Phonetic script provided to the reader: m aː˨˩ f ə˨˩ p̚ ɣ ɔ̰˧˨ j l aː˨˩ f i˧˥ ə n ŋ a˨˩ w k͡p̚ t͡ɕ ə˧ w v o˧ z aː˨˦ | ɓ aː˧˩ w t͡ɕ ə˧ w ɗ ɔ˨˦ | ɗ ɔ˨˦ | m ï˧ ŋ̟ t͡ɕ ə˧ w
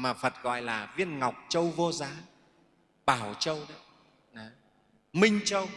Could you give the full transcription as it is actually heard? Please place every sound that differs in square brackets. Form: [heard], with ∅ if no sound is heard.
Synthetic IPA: m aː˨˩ f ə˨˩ [t̚] ɣ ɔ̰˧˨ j l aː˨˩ [v] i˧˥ ə n ŋ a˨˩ w k͡p̚ t͡ɕ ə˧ w v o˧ z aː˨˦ | ɓ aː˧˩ w t͡ɕ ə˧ w ɗ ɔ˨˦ | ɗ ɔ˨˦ | m ï˧ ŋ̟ t͡ɕ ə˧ w